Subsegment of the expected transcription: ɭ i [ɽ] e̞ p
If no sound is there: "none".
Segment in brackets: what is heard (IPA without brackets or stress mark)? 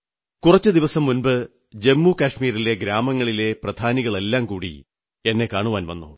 l